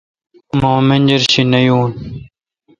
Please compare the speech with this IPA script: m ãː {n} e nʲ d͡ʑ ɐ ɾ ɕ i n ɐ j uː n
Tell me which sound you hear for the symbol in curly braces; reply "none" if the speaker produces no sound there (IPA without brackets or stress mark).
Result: m